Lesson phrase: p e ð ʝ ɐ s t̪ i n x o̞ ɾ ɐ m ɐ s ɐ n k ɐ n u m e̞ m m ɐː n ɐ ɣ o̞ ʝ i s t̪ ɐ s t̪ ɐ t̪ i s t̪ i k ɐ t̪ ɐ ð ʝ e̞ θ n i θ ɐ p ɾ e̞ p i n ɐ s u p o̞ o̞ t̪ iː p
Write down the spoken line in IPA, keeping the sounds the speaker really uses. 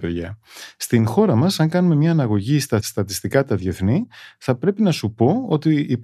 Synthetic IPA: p e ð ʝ ɐ s t̪ i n x o̞ ɾ ɐ m ɐ s ɐ ŋ k ɐ n u m e̞ m ɲ ɐː n ɐ ɣ o̞ ʝ i s t̪ ɐ s t̪ ɐ t̪ i s t̪ i k ɐ t̪ ɐ ð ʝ e̞ θ n i θ ɐ p ɾ e̞ p i n ɐ s u p o̞ o̞ t̪ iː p